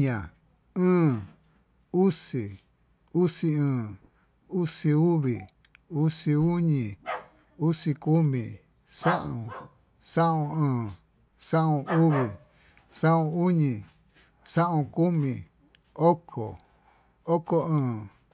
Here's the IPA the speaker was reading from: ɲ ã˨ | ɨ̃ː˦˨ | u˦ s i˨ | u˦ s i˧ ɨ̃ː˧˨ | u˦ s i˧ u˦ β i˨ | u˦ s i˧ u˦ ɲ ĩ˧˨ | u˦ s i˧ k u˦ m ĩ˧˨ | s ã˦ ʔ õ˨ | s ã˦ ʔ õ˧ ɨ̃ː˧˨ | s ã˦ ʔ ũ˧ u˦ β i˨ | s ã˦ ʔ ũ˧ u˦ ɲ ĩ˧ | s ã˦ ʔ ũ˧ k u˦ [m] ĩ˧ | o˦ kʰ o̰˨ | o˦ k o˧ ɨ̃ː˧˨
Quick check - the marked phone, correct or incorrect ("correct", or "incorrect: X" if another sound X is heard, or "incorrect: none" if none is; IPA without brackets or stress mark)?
correct